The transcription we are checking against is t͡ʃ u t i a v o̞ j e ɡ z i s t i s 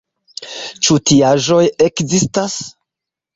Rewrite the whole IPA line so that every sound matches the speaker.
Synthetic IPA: t͡ʃ u t i a ʒ o̞ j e k z i s t a s